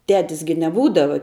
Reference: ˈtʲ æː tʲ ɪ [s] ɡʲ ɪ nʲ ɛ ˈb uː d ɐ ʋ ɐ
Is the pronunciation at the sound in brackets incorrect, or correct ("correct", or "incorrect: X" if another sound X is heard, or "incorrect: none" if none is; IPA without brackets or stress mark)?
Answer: correct